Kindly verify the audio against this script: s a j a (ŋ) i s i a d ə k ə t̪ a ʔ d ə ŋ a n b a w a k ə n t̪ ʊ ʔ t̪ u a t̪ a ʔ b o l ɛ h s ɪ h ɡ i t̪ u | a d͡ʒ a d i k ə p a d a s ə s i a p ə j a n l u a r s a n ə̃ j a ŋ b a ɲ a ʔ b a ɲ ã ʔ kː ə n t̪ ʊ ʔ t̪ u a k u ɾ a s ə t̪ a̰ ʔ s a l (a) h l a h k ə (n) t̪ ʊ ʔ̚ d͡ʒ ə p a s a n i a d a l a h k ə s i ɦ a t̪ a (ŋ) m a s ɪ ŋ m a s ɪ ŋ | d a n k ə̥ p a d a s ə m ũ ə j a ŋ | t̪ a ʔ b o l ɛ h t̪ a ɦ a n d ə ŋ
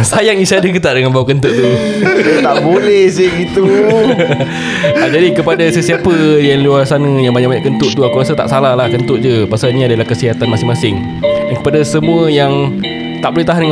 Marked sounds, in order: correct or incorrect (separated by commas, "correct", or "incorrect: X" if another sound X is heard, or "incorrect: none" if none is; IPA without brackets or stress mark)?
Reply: correct, correct, correct, incorrect: n